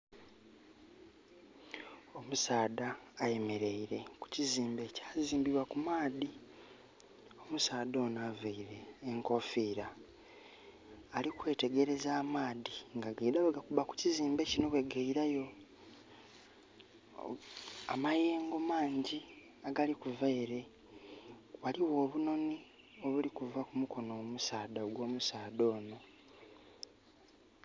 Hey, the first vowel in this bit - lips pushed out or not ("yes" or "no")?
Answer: yes